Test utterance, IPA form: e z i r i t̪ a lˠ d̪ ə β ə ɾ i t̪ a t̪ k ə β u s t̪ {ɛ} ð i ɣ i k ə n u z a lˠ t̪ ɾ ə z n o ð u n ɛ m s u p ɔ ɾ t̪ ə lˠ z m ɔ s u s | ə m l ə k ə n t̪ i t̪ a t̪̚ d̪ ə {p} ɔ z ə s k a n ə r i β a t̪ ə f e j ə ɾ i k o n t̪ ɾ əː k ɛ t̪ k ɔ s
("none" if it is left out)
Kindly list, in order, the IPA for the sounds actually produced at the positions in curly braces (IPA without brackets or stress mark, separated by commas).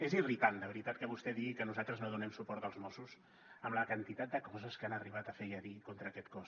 ɛ, k